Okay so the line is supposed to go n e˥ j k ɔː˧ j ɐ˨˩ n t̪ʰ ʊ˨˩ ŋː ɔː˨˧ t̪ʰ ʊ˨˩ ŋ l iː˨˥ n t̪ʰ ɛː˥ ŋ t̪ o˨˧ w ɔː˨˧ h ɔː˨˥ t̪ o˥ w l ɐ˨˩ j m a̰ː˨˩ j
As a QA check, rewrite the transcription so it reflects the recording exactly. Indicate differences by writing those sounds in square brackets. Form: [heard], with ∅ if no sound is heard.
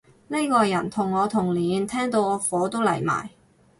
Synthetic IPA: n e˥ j k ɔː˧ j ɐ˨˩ n t̪ʰ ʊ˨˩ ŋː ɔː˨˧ t̪ʰ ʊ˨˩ ŋ l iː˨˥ n t̪ʰ ɛː˥ ŋ t̪ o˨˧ w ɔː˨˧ [f] ɔː˨˥ t̪ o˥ w l ɐ˨˩ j m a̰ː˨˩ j

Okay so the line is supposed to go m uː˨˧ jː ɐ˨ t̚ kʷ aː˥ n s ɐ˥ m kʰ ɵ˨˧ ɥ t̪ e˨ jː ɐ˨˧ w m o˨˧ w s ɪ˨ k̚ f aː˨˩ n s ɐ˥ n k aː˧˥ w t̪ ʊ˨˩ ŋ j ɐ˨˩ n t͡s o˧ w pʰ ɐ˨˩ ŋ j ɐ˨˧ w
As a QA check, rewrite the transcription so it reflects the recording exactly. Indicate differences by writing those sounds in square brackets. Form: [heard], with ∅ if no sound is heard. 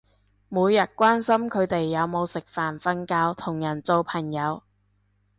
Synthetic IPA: m uː˨˧ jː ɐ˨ t̚ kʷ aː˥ n s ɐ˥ m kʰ ɵ˨˧ ɥ t̪ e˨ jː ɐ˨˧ w m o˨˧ w s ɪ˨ k̚ f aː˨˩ n [f] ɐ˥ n k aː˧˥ w [t̪ʰ] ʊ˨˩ ŋ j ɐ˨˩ n t͡s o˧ w pʰ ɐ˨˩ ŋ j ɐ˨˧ w

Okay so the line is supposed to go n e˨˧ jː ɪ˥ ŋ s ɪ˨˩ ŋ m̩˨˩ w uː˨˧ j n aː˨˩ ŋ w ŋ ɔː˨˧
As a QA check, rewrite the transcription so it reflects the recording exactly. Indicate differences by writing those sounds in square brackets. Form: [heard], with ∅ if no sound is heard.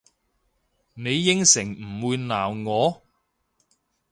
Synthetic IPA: n e˨˧ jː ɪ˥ ŋ s ɪ˨˩ ŋ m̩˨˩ w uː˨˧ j n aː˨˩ [∅] w ŋ ɔː˨˧

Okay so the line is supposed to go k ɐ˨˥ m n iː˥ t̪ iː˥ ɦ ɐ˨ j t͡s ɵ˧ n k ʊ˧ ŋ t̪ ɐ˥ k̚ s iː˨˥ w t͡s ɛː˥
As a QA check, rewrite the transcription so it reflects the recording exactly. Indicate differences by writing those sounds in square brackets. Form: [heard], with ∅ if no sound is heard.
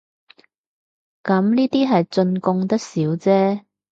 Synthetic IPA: k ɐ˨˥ m n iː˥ t̪ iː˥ ɦ ɐ˨ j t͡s ɵ˧ n k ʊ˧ ŋ t̪ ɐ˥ k̚ s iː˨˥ w t͡s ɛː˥

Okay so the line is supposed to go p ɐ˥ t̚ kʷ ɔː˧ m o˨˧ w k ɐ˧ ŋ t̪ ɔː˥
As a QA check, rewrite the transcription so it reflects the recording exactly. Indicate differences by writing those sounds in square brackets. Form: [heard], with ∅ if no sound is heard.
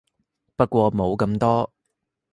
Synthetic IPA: p ɐ˥ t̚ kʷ ɔː˧ m o˨˧ w k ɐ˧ [m] t̪ ɔː˥

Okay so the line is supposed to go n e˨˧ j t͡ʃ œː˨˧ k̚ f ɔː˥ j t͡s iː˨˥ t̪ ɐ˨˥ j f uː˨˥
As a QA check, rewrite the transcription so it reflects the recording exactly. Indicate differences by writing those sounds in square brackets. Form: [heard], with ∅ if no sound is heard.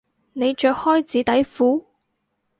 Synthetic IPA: n e˨˧ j t͡ʃ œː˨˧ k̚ [h] ɔː˥ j t͡s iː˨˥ t̪ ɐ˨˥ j f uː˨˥

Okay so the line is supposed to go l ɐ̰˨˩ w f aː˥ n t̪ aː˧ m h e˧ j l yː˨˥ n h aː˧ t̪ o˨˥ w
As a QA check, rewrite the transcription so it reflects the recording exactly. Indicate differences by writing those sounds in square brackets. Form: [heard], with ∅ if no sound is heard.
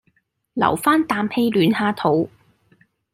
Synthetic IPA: l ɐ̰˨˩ w f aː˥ n t̪ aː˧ m h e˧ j l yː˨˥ n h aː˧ [t̪ʰ] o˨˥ w

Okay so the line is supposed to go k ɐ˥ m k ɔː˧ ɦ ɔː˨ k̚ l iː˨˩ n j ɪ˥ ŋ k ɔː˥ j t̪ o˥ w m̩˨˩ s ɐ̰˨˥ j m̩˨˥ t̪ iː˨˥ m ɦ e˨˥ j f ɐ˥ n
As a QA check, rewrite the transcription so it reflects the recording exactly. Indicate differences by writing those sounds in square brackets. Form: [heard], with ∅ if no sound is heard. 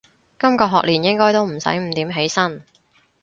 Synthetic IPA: k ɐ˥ m k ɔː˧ ɦ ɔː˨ k̚ l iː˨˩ n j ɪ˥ ŋ k ɔː˥ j t̪ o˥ w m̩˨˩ s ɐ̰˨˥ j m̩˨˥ t̪ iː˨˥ m ɦ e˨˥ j [s] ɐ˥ n

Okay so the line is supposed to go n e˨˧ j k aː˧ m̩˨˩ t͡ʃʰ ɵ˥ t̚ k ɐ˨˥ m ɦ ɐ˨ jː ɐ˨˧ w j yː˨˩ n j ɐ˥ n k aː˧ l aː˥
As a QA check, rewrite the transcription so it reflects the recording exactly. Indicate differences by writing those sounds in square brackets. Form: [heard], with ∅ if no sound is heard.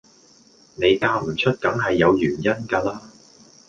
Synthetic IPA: n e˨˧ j k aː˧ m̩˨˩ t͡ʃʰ ɵ˥ t̚ k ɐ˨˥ [ŋ] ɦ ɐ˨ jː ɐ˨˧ w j yː˨˩ n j ɐ˥ n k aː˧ l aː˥

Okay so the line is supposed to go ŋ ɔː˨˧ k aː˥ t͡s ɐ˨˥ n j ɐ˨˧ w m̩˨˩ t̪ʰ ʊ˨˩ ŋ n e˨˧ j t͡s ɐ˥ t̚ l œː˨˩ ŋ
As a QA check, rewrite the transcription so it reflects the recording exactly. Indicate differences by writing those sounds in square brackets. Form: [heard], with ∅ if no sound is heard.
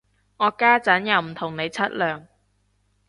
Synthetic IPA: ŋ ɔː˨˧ k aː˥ t͡s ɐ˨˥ n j ɐ˨˧ w m̩˨˩ t̪ʰ ʊ˨˩ ŋ n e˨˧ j [t͡sʰ] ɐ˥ t̚ l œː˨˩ ŋ

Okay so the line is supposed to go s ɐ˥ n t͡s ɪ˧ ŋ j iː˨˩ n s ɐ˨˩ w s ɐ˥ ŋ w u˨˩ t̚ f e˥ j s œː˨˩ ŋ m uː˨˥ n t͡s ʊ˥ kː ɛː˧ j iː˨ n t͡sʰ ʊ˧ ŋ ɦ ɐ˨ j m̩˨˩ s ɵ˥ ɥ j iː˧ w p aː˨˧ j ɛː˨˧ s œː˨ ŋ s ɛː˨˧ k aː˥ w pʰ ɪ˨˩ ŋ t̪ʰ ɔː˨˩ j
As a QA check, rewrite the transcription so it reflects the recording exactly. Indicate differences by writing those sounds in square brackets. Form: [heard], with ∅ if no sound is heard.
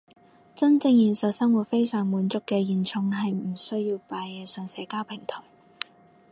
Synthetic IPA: [t͡s] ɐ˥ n t͡s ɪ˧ ŋ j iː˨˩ n s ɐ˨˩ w s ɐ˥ ŋ w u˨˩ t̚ f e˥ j s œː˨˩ ŋ m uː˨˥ n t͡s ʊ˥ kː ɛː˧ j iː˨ n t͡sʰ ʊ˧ ŋ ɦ ɐ˨ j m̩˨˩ s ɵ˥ ɥ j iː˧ w p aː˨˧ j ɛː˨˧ s œː˨ ŋ s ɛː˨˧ k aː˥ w pʰ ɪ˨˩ ŋ t̪ʰ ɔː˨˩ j

